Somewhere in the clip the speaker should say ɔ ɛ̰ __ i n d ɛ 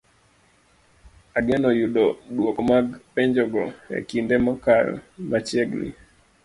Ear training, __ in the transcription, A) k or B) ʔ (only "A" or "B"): A